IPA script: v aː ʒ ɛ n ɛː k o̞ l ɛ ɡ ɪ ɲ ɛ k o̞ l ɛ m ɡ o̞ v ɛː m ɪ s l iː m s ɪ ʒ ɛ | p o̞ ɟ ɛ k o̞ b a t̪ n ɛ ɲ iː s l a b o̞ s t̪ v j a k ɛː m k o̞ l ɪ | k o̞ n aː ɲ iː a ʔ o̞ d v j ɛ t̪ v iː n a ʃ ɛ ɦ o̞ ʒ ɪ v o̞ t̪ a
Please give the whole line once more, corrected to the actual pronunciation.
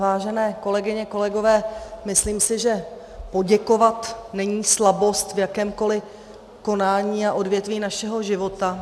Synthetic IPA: v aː ʒ ɛ n ɛː k o̞ l ɛ ɡ ɪ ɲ ɛ k o̞ l ɛ ɡ o̞ v ɛː m ɪ s l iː m s ɪ ʒ ɛ | p o̞ ɟ ɛ k o̞ v a t̪ n ɛ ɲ iː s l a b o̞ s t̪ v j a k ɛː m k o̞ l ɪ | k o̞ n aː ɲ iː a ʔ o̞ d v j ɛ t̪ v iː n a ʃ ɛ ɦ o̞ ʒ ɪ v o̞ t̪ a